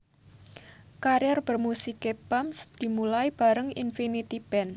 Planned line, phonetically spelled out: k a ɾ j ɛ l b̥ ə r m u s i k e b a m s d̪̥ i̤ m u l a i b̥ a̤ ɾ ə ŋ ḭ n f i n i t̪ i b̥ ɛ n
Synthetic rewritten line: k a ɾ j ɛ r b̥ ə r m u s i k e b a m s d̪̥ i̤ m u l a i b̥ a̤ ɾ ə ŋ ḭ n f i n i t̪ i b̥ ɛ n